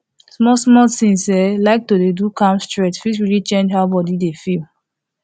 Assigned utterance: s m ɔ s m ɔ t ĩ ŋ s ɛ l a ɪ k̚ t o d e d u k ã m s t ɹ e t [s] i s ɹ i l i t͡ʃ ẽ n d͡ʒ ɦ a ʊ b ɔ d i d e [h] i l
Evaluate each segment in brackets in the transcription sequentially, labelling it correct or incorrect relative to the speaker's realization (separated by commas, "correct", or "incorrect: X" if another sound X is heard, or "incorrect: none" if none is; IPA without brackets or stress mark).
incorrect: f, incorrect: f